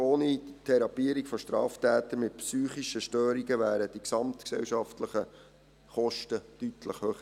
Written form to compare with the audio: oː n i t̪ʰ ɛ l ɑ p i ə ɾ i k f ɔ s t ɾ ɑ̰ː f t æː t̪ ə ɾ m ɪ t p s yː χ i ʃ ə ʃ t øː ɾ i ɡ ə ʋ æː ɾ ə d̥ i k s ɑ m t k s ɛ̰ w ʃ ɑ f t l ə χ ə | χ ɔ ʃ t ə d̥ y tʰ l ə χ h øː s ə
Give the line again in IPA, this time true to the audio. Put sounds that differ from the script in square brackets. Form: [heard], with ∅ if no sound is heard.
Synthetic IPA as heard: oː n i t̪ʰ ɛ [ɾ] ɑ p i ə ɾ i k f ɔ [ʃ] t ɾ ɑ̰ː f t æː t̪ ə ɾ m ɪ t p s yː χ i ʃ ə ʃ t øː ɾ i ɡ ə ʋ æː ɾ ə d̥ i k s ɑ m t k s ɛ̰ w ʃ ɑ f t l ə χ ə | χ ɔ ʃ t ə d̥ y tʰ l ə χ h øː [χ] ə